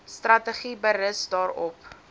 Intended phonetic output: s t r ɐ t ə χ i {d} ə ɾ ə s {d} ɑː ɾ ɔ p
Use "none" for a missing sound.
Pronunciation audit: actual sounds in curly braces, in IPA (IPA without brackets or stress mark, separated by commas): b, d